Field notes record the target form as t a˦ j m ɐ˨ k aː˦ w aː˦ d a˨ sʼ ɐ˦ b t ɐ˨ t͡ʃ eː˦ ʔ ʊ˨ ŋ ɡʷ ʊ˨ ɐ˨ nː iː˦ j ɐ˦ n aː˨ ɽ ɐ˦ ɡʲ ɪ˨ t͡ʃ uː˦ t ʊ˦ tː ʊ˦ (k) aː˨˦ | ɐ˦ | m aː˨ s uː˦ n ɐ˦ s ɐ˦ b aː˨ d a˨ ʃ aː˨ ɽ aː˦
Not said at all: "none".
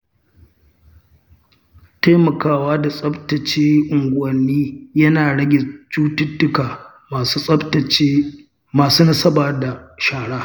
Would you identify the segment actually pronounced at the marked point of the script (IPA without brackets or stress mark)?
k